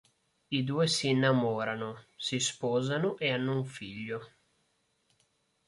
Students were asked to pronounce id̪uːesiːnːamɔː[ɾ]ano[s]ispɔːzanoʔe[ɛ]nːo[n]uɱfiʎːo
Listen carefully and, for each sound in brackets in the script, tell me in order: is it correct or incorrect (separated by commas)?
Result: correct, correct, incorrect, incorrect